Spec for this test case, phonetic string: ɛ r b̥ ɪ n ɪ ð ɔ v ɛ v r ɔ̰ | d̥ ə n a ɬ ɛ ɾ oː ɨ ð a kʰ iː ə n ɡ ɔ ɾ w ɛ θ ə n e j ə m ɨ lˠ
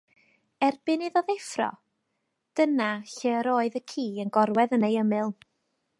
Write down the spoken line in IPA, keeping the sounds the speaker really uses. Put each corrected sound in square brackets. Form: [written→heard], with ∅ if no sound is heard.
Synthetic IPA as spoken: ɛ r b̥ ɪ n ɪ ð ɔ [v→ð] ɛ [v→f] r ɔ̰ | d̥ ə n a ɬ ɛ ɾ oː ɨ ð [a→ə] kʰ iː ə n ɡ ɔ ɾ w ɛ [θ→ð] ə n e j ə m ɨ lˠ